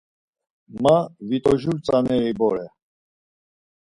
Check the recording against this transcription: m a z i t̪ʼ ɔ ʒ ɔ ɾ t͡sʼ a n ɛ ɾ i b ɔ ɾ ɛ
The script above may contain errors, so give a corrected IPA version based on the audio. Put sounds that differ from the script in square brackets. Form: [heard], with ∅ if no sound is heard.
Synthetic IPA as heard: m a [v] i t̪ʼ ɔ ʒ [u] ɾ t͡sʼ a n ɛ ɾ i b ɔ ɾ ɛ